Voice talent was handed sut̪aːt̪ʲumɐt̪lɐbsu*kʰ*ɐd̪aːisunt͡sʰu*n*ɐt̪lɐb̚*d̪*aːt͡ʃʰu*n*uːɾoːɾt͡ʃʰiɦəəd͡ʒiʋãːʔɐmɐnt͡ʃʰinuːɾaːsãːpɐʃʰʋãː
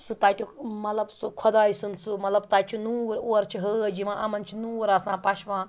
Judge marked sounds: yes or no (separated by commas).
yes, no, no, yes